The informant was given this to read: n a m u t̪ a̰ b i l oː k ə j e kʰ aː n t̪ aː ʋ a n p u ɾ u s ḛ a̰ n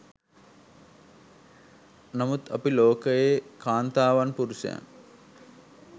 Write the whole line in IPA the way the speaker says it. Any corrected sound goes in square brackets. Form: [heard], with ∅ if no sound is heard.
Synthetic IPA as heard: n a m u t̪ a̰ [p] i l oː k ə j e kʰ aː n t̪ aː ʋ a n p u ɾ u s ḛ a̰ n